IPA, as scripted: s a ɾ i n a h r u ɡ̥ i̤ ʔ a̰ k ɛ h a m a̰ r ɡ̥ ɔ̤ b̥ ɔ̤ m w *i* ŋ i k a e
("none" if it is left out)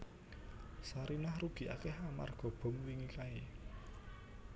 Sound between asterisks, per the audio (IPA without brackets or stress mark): i